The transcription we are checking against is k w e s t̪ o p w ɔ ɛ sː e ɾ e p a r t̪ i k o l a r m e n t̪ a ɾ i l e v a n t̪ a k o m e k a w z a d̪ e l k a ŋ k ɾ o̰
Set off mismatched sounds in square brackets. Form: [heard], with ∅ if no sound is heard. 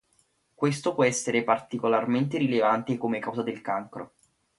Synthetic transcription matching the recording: k w e s t̪ o p w ɔ ɛ sː e ɾ e p a r t̪ i k o l a r m e n t̪ [e] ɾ i l e v a n t̪ [e] k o m e k a w z a d̪ e l k a ŋ k ɾ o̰